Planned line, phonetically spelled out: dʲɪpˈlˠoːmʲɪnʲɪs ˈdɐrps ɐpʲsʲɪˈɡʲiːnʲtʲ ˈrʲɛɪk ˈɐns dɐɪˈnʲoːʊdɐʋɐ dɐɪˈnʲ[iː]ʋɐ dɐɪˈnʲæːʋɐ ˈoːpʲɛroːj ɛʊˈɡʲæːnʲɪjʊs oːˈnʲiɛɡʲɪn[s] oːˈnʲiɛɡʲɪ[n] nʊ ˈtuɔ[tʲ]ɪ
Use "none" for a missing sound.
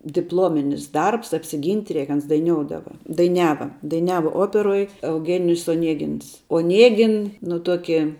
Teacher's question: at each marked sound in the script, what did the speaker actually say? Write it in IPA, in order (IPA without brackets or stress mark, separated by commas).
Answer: æː, s, n, kʲ